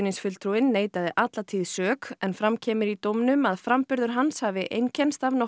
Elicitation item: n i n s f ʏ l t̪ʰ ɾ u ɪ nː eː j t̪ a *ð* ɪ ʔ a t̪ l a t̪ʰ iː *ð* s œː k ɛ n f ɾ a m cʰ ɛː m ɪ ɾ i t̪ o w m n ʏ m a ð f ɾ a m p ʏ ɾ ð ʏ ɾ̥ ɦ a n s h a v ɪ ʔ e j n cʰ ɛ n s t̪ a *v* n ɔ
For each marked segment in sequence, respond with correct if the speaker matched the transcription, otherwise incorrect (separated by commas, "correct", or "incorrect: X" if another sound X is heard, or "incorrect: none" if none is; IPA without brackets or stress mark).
correct, correct, correct